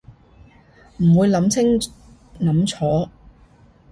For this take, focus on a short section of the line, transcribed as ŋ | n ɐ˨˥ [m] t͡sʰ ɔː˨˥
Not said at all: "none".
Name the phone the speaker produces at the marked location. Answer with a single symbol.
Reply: m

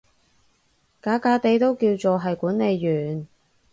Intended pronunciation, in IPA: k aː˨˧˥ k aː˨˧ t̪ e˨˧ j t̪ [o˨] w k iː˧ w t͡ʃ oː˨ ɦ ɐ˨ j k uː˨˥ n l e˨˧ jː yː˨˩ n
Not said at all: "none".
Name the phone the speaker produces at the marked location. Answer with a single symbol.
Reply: o˥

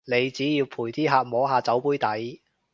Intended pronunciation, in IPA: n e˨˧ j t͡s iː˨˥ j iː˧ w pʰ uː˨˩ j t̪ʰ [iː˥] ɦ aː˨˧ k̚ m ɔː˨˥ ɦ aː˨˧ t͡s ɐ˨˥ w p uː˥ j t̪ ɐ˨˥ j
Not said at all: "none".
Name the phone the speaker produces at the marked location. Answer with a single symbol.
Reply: iː˥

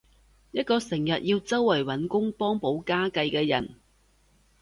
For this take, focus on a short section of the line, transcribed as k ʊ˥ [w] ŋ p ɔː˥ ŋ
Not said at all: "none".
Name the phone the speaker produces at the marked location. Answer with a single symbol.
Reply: none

